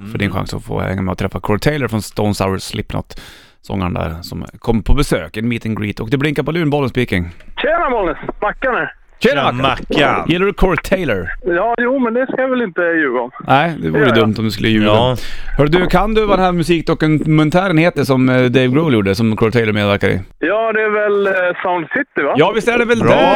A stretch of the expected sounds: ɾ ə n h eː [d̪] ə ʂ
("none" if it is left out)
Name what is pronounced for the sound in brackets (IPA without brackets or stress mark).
t̪